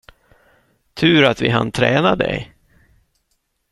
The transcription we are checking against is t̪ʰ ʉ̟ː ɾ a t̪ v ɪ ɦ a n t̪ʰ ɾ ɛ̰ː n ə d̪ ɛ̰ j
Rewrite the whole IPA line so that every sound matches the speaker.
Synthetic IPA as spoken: t̪ʰ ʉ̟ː ɾ a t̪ v ɪ ɦ a n t̪ʰ ɾ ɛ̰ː n a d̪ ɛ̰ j